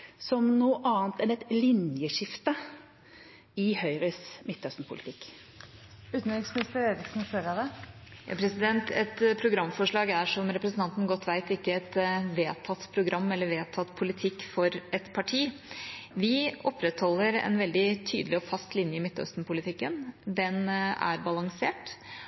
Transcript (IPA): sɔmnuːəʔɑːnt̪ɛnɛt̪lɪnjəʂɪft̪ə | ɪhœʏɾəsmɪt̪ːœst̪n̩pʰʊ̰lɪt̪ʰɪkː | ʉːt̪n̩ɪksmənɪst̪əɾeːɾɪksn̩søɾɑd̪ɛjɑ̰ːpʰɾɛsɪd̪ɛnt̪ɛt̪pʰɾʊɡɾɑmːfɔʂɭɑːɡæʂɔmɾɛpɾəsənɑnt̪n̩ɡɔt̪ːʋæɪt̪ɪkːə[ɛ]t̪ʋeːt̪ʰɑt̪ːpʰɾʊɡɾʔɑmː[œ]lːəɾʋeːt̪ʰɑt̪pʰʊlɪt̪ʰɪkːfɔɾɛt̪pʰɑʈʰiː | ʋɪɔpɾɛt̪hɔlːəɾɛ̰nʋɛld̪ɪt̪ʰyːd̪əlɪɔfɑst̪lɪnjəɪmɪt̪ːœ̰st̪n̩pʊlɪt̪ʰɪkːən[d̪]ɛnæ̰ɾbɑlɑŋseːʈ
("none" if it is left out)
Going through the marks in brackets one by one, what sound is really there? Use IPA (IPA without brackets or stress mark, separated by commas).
ɛ, ɛ, d̪